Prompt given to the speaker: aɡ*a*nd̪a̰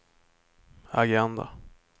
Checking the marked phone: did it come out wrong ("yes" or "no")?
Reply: yes